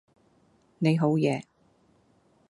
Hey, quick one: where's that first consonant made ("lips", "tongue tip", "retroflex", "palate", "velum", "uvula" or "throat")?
tongue tip